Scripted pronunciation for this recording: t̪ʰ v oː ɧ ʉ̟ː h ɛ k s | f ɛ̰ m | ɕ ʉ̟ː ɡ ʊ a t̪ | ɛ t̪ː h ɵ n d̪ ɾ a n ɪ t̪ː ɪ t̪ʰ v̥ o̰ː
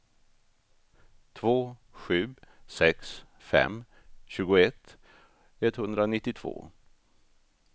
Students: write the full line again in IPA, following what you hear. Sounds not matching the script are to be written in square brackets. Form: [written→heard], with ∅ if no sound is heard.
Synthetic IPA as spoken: t̪ʰ v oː ɧ ʉ̟ː [h→s] ɛ k s | f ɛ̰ m | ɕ ʉ̟ː ɡ ʊ [a→ɛ] t̪ | ɛ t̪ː h ɵ n d̪ ɾ a n ɪ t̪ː ɪ t̪ʰ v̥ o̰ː